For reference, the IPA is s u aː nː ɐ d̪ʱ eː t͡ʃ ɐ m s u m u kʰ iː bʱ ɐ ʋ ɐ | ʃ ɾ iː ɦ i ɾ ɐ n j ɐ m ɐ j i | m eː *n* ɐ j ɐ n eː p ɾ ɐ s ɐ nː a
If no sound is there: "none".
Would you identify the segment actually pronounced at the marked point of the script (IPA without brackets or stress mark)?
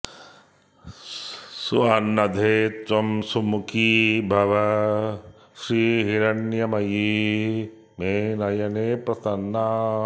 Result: n